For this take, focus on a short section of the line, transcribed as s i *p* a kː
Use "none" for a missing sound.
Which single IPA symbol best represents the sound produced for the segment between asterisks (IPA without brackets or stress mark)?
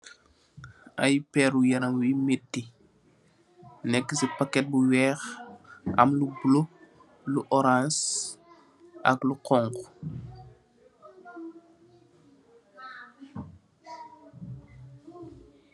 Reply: p